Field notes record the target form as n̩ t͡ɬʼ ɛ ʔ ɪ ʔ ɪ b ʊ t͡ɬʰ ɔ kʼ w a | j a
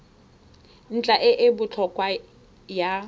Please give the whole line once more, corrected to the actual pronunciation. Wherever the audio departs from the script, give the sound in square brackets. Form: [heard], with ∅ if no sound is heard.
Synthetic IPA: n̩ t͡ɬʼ [a] ʔ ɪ ʔ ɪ b ʊ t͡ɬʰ ɔ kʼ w a | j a